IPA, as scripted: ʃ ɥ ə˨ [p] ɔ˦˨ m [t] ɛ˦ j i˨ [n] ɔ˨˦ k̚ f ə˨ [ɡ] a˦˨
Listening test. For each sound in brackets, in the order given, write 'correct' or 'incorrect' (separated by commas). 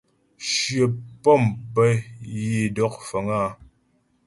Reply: correct, incorrect, incorrect, incorrect